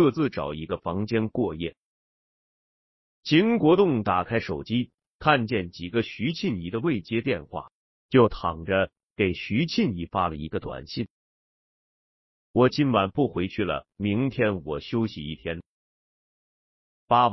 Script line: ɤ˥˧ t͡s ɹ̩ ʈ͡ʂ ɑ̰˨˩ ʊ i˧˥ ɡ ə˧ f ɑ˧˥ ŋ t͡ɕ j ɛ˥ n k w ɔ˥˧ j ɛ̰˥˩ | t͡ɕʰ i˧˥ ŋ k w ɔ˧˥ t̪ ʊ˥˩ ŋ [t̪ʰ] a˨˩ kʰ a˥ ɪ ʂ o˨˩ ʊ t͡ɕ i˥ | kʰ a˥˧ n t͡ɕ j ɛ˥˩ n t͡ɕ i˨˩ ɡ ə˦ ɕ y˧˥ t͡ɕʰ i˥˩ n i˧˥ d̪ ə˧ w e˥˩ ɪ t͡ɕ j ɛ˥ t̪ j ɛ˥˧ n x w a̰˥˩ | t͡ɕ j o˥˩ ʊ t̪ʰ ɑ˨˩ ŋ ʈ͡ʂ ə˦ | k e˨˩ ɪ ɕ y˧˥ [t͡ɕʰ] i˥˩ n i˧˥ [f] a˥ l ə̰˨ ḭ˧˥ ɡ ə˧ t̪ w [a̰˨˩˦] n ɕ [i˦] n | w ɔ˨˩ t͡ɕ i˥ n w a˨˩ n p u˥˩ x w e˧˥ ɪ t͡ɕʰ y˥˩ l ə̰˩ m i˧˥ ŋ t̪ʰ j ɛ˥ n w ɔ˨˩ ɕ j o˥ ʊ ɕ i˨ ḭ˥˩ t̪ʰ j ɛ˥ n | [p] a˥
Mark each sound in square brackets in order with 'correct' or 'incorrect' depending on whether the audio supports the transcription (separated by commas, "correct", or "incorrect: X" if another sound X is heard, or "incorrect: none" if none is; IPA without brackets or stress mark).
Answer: incorrect: t̪, correct, correct, incorrect: a̰˨˩, incorrect: i˥˩, correct